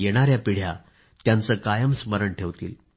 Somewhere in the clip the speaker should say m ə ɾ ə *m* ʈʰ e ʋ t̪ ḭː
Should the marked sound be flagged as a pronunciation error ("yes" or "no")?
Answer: yes